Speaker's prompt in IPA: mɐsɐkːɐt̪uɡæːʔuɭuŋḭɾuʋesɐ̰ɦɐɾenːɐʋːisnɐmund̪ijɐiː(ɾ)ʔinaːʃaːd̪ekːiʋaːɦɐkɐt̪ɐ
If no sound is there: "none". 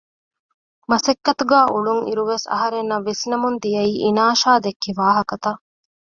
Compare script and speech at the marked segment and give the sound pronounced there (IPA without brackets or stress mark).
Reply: none